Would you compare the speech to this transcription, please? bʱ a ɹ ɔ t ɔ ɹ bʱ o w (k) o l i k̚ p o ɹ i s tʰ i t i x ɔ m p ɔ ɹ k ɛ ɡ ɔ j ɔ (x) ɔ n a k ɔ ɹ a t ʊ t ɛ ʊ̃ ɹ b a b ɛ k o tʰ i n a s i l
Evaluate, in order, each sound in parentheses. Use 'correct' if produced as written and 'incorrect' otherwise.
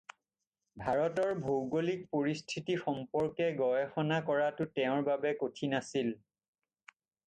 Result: incorrect: ɡ, correct

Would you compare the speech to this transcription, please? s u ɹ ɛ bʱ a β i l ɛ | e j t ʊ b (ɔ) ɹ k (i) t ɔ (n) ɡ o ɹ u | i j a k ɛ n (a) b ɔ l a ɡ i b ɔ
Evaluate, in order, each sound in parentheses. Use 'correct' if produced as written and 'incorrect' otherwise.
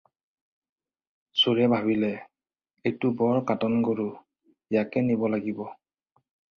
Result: correct, incorrect: a, correct, incorrect: i

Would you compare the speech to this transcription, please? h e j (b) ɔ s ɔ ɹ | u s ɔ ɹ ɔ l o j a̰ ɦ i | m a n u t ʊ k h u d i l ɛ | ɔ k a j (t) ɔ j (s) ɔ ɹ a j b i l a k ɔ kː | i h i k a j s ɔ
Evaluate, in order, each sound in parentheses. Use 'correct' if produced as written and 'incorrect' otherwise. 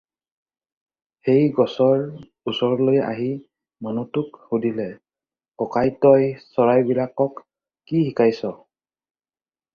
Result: incorrect: ɡ, correct, correct

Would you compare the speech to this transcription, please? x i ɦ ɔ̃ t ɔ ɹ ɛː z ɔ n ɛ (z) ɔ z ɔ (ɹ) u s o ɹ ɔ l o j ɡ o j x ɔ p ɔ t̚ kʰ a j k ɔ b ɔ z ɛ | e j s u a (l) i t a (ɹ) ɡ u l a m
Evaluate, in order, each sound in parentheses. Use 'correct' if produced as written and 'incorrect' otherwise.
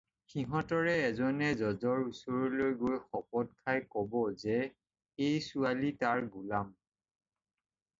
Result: correct, correct, correct, correct

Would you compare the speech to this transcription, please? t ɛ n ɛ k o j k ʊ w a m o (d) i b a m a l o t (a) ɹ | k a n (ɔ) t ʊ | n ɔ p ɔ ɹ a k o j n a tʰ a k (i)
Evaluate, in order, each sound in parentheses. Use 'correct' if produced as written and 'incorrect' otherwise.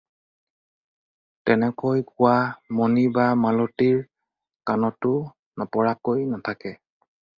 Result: incorrect: n, incorrect: i, correct, incorrect: ɛ

